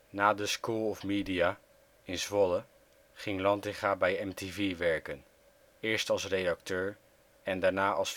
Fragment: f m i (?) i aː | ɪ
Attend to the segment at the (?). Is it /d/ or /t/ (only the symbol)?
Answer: d